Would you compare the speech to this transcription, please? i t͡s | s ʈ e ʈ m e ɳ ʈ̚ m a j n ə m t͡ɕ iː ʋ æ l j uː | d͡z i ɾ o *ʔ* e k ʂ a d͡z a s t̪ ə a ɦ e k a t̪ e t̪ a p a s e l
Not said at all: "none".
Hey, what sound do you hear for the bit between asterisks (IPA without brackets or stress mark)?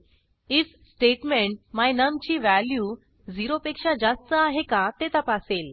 p